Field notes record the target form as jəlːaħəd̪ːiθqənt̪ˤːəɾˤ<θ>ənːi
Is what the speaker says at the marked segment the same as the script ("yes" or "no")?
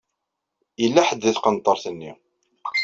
yes